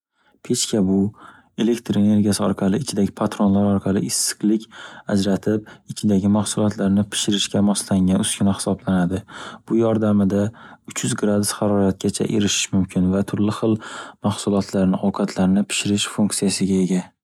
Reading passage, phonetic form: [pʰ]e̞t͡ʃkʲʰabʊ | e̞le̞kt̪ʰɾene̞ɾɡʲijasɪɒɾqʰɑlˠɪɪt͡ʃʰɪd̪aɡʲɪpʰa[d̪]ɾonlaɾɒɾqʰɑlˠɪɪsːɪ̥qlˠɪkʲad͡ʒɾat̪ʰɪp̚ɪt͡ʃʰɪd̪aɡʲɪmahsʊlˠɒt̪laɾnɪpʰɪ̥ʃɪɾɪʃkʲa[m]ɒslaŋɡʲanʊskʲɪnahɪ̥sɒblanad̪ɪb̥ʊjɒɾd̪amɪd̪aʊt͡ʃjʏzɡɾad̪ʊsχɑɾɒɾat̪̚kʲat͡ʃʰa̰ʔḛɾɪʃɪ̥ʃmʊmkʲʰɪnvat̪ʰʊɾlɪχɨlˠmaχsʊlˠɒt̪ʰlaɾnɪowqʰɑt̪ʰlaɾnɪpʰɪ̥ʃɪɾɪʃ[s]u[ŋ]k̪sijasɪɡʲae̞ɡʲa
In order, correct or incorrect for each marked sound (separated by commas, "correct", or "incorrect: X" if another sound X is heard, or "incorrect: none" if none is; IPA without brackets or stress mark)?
correct, incorrect: t̪, correct, incorrect: f, correct